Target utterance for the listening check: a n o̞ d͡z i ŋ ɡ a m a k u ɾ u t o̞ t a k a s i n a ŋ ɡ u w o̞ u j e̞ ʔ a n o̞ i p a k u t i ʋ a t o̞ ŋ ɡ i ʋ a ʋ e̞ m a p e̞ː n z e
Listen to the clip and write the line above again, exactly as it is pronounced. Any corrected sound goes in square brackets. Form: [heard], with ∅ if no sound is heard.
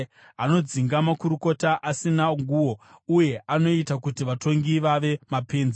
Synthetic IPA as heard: a n o̞ d͡z i ŋ ɡ a m a k u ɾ u [k] o̞ t a [ʔ] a s i n a ŋ ɡ u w o̞ u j e̞ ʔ a n o̞ i [t] a k u t i ʋ a t o̞ ŋ ɡ i ʋ a ʋ e̞ m a p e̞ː n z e